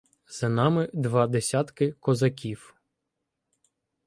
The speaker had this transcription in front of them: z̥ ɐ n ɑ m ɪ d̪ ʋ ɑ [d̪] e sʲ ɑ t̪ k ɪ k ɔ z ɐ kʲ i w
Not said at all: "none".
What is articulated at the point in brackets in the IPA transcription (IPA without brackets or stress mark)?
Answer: d̪